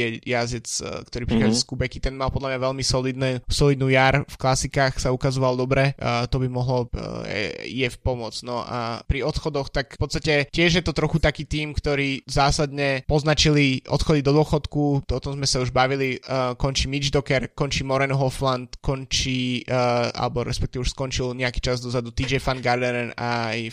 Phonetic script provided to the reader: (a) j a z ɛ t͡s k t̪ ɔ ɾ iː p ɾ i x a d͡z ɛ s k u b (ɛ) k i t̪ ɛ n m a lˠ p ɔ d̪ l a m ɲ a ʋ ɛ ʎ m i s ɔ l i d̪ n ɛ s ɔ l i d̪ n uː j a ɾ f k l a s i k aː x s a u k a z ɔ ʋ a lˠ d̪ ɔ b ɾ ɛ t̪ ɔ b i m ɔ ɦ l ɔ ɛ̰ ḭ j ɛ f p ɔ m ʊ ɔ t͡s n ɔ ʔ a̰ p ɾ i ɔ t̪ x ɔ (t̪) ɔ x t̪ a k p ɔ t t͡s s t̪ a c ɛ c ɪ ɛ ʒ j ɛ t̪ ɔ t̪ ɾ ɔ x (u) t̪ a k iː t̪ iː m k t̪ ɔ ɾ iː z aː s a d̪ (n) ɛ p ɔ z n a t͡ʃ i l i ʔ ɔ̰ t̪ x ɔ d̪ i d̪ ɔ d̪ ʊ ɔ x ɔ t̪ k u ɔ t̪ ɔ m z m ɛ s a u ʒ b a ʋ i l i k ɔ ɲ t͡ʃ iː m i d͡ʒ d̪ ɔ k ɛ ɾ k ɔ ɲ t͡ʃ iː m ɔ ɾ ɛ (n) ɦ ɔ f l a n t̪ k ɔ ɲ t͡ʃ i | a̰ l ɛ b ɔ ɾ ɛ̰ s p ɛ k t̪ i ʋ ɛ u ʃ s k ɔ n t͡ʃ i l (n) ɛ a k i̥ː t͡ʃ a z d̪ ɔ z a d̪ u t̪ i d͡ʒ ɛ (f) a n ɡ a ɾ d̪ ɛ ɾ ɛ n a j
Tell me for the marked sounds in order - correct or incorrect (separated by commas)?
incorrect, correct, incorrect, correct, incorrect, correct, incorrect, correct